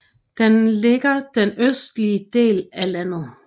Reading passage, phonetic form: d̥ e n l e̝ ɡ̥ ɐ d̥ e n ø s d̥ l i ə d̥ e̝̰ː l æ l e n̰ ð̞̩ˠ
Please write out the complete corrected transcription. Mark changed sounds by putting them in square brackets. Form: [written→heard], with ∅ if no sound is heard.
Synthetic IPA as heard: d̥ e n l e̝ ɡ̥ ɐ d̥ e n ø s d̥ l i ə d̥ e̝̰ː l æ l [e→æ] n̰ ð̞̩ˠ